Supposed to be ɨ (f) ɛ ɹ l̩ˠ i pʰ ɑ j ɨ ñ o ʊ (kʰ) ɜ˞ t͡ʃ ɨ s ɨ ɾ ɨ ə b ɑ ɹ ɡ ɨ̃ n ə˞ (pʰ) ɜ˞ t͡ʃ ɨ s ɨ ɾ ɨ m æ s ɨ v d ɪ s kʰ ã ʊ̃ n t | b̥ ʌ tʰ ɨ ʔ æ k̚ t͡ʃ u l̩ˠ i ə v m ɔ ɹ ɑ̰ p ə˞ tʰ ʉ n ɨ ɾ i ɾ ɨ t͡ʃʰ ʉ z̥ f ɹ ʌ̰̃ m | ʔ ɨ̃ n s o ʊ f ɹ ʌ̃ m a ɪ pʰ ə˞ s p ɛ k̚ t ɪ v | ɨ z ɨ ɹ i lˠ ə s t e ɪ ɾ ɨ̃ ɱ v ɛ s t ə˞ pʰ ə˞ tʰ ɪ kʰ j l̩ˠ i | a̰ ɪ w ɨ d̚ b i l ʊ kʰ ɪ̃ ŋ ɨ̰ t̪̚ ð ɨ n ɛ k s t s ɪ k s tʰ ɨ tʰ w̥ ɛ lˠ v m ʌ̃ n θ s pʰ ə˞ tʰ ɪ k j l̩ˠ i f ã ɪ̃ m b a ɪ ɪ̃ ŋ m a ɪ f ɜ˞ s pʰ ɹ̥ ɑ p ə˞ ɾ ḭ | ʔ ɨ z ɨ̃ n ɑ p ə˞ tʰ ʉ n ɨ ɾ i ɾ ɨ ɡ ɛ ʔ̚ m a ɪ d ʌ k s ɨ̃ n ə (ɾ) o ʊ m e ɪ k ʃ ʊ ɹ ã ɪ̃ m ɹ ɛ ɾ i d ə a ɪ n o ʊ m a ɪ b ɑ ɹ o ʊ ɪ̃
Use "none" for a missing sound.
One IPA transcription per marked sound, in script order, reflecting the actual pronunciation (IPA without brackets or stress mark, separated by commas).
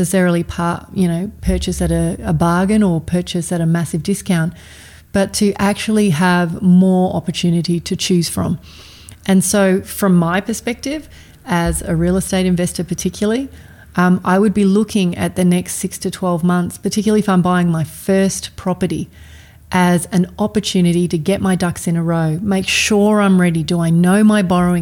s, pʰ, pʰ, ɹ